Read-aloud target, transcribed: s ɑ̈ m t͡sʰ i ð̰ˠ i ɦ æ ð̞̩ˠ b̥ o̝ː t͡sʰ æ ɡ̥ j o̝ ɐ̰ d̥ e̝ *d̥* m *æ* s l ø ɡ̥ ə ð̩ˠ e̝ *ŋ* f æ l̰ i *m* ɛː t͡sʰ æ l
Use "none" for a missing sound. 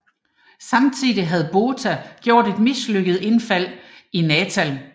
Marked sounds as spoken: d̥, i, n, n

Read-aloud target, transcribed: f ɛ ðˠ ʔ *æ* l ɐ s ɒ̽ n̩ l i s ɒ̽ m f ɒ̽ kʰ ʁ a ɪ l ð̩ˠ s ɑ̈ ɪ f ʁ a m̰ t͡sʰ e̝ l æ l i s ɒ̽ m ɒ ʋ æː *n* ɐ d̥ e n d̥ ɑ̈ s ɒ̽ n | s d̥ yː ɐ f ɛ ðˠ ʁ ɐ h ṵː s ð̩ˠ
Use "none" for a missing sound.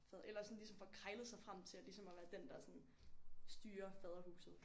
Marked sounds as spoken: e, none

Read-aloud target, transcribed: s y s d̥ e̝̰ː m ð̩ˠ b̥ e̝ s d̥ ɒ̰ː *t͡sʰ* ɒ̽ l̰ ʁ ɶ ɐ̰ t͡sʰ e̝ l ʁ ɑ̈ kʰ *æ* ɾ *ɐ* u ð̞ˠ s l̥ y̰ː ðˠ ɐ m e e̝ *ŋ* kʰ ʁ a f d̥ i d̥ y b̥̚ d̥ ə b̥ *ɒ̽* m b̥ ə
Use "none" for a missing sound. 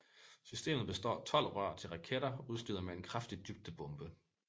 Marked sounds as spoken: t͡sʰ, e, ɐ, n, ɔ̽

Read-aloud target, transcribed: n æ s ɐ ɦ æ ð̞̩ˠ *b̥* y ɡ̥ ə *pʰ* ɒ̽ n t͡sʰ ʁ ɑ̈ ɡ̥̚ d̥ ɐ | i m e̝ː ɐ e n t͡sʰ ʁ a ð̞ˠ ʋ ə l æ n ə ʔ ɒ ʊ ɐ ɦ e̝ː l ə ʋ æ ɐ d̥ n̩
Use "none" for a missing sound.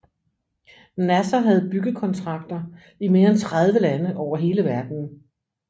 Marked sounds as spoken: b̥, kʰ

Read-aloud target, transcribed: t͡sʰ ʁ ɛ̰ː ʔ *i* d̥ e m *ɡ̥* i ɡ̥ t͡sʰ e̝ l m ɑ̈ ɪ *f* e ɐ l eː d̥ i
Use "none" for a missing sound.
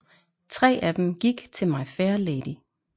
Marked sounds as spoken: æ, ɡ̥, f

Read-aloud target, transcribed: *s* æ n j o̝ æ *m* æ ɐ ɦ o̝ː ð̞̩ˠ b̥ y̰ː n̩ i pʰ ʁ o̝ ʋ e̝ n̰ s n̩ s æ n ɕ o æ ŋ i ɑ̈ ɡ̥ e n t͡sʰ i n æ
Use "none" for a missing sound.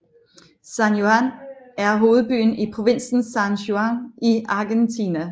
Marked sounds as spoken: s, n

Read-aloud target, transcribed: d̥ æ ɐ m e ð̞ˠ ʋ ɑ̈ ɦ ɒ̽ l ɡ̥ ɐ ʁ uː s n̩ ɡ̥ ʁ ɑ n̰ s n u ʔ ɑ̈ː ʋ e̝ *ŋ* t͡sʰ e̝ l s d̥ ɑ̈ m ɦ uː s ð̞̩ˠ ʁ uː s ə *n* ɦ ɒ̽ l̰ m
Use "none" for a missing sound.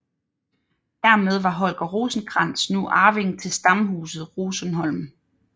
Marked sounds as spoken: ŋ, n

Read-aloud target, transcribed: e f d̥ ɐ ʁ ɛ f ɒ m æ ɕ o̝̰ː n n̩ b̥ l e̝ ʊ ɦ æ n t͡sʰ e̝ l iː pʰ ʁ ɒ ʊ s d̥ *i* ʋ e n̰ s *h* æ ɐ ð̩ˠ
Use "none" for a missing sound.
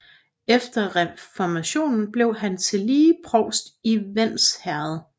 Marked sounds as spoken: i, h

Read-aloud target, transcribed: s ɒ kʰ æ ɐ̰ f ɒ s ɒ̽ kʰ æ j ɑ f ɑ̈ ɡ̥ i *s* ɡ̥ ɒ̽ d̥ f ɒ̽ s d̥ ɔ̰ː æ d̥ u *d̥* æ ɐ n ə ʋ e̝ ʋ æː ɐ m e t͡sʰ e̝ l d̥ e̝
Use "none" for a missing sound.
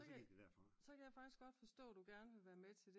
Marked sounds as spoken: s, ɡ̥

